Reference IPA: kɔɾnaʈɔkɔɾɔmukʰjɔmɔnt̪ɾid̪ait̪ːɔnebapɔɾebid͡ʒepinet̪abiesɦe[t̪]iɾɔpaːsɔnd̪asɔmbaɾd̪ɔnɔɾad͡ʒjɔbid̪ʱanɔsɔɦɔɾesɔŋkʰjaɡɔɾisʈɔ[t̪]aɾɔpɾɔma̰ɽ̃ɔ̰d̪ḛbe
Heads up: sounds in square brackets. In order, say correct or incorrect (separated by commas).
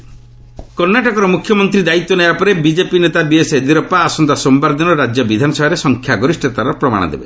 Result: incorrect, correct